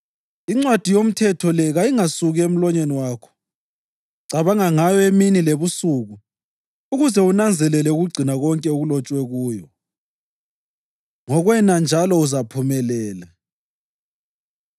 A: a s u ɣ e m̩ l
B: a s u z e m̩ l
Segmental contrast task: A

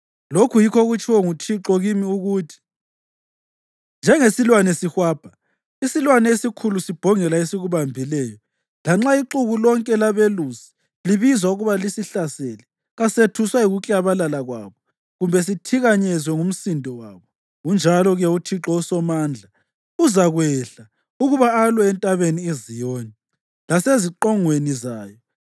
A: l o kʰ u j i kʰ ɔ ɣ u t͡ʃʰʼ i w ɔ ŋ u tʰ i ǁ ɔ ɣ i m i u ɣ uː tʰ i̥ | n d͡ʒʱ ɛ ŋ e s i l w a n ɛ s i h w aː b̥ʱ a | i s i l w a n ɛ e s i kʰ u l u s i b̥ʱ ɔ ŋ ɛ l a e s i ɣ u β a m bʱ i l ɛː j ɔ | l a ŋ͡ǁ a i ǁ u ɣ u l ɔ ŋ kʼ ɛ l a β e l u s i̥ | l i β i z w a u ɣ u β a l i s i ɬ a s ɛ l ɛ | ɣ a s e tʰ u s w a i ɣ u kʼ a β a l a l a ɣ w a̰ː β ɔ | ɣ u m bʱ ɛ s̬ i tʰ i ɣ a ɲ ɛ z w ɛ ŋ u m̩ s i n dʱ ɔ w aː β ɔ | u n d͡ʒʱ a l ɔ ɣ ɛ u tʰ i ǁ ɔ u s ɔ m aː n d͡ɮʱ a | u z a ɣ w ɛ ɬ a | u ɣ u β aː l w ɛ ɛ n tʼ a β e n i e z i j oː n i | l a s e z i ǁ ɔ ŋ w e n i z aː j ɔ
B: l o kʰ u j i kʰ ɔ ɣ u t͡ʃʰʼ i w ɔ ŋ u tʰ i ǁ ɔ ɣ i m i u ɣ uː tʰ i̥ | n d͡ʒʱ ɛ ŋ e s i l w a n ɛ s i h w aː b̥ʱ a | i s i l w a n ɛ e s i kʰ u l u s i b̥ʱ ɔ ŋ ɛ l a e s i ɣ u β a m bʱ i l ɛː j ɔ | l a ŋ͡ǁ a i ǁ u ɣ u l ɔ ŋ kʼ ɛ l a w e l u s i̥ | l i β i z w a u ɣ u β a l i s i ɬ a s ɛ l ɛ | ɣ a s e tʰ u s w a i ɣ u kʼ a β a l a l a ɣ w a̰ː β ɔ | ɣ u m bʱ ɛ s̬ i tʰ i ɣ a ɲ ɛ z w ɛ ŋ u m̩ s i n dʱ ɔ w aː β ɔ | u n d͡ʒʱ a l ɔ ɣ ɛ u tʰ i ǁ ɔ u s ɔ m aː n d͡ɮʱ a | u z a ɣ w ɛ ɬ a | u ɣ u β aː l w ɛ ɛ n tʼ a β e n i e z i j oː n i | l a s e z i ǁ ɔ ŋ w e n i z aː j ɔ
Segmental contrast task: A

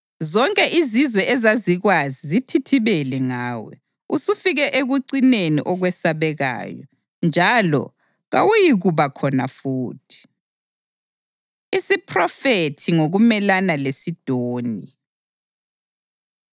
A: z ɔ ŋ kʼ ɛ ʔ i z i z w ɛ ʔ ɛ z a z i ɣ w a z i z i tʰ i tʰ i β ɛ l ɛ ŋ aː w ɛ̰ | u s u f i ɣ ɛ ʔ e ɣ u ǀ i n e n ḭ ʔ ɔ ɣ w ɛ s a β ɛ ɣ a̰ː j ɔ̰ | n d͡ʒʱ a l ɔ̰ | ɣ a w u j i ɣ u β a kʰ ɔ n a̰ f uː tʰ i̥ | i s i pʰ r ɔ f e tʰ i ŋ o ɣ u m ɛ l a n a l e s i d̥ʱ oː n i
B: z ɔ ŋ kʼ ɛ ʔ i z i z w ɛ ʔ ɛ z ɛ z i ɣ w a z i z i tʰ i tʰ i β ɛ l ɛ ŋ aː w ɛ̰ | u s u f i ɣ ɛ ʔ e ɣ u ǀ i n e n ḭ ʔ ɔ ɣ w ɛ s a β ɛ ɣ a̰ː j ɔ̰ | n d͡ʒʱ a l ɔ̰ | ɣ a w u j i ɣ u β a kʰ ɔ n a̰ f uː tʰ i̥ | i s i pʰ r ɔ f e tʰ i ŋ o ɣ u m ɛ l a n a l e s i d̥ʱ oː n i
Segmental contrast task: A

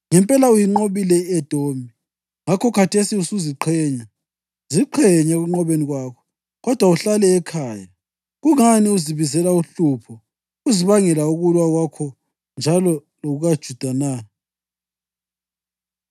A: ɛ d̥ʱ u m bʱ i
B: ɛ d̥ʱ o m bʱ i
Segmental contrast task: B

